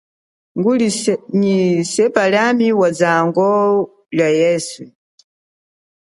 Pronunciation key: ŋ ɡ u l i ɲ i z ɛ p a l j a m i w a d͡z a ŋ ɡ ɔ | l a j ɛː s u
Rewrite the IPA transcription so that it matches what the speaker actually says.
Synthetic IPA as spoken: ŋ ɡ u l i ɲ i s ɛ p a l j a m i w a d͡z a ŋ ɡ ɔ | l a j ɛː s u